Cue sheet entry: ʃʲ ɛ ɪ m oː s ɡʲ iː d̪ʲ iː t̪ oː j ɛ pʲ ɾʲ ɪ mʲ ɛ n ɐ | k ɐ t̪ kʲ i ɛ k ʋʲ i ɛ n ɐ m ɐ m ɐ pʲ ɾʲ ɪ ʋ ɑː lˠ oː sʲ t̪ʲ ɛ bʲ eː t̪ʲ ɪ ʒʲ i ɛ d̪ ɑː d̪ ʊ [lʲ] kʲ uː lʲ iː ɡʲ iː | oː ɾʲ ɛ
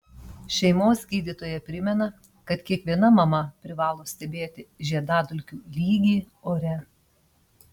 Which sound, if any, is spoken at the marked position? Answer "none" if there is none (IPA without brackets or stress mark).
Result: lʲ